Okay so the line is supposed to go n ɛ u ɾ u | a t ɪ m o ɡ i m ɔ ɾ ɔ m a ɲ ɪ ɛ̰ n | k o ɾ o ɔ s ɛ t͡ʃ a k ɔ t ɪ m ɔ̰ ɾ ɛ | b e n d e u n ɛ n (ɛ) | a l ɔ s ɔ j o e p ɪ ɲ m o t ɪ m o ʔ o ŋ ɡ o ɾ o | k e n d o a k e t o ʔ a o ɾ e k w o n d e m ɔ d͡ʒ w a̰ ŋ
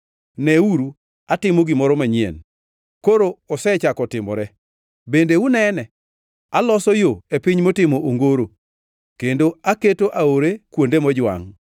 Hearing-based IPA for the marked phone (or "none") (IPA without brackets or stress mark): ɛ